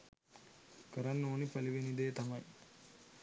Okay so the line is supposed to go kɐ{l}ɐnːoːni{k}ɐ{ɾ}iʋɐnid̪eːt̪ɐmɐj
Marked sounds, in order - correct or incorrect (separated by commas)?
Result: incorrect, incorrect, incorrect